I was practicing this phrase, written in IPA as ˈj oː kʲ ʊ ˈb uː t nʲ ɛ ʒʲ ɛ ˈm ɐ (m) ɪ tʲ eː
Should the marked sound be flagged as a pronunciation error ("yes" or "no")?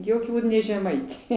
yes